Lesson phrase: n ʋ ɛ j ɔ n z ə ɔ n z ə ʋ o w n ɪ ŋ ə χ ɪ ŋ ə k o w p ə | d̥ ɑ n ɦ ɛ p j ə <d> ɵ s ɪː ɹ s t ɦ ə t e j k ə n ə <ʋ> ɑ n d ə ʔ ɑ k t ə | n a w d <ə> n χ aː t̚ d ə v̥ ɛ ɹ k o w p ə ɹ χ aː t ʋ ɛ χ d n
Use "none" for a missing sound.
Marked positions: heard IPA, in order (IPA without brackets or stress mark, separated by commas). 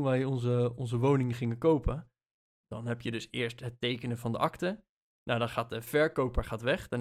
d, v, ɑ